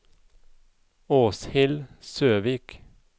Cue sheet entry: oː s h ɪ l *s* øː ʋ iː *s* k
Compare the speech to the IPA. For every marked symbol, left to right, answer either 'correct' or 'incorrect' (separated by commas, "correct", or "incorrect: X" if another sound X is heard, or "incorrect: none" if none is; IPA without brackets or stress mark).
correct, incorrect: none